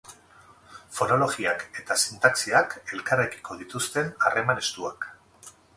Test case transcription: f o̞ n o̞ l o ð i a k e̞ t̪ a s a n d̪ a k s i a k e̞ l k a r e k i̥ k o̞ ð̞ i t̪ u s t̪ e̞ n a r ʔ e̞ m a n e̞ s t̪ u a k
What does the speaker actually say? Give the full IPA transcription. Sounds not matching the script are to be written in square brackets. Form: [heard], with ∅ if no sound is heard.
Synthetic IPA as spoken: f o̞ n o̞ l o [ɣ] i a k e̞ t̪ a s [i] n [t̪] a k s i a k e̞ l k a r e k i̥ k o̞ ð̞ i t̪ u s t̪ e̞ n a r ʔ e̞ m a n e̞ s t̪ u a k